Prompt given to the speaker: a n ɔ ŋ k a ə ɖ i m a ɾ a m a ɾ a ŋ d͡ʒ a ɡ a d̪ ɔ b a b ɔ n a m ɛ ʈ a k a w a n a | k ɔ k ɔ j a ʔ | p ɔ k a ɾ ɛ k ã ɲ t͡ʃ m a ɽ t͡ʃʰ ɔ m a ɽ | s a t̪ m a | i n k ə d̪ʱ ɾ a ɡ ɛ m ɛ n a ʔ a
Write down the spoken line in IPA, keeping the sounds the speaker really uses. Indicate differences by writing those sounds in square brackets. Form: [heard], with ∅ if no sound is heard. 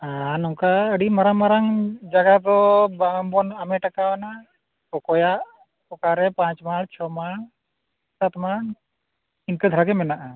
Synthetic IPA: a n ɔ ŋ k a ə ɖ i m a ɾ a m a ɾ a ŋ d͡ʒ a ɡ a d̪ ɔ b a b ɔ n a m ɛ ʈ a k a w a n a | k ɔ k ɔ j a ʔ | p ɔ k a ɾ ɛ [p] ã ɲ t͡ʃ m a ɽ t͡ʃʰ ɔ m a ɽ | s a t̪ m a | i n k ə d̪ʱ ɾ a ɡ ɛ m ɛ n a ʔ a